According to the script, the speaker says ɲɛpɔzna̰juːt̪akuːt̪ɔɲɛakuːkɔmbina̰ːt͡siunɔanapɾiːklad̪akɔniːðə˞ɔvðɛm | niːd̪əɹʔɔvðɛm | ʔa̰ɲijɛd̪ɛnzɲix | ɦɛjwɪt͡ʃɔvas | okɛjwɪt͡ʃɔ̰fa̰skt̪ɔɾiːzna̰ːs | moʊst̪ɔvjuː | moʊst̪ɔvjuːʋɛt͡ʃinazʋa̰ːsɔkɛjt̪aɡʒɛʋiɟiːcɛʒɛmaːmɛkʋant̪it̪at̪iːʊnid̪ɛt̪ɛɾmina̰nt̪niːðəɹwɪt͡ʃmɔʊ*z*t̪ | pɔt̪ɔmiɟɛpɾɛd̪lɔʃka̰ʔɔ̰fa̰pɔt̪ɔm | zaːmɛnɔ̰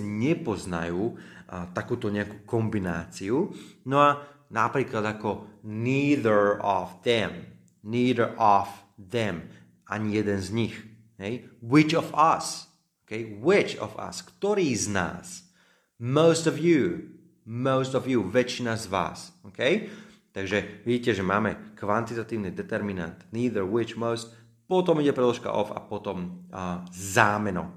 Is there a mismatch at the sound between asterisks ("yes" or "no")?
yes